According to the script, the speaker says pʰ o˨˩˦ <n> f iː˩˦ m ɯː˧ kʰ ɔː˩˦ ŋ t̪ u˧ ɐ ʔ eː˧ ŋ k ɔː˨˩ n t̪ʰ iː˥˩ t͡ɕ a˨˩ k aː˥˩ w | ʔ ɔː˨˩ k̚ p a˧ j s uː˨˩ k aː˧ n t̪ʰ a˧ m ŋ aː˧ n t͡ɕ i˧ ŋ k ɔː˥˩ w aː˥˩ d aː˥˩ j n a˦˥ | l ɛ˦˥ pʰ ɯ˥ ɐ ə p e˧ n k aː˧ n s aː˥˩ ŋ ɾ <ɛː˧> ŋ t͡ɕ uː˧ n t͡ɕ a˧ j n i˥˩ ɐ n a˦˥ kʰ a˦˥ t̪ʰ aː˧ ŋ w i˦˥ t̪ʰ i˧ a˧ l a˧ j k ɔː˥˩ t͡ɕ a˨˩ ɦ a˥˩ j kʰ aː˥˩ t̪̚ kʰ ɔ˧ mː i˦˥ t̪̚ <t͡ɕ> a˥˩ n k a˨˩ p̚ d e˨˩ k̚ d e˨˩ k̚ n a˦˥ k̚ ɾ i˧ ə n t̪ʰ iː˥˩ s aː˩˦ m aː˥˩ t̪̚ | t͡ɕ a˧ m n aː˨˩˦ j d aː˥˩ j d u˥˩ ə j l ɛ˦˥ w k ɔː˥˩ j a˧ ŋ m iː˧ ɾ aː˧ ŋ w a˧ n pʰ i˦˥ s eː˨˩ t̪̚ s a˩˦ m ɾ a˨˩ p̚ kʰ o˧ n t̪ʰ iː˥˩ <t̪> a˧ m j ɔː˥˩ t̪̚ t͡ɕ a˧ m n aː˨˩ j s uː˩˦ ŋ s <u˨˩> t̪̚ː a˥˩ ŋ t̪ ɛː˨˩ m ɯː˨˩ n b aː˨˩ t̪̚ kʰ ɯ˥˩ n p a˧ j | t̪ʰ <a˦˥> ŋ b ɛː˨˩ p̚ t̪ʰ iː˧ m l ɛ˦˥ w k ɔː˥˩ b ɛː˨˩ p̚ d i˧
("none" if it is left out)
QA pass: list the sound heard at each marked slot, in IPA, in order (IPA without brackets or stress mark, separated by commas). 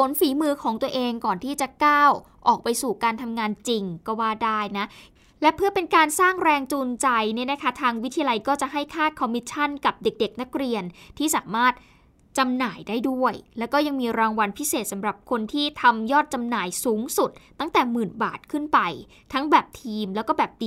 n, ɛː˧, t͡ɕʰ, t̪ʰ, u˨˩, a˦˥